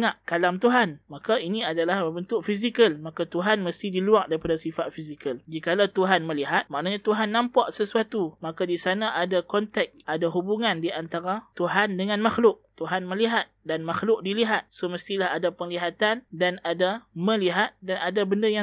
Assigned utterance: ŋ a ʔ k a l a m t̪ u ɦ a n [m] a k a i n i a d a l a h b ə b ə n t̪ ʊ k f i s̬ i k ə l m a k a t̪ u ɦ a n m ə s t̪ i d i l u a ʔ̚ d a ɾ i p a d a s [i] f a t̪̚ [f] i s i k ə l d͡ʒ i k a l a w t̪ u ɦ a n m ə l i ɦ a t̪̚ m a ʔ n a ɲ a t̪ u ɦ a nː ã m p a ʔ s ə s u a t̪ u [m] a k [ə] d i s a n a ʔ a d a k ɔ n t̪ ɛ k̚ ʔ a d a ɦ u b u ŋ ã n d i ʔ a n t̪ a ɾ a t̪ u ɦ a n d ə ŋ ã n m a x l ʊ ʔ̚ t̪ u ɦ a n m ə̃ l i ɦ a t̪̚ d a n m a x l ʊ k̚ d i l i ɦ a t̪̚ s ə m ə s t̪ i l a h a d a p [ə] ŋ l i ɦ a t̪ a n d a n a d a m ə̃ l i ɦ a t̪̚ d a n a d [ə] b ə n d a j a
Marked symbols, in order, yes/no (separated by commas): yes, yes, yes, yes, no, yes, no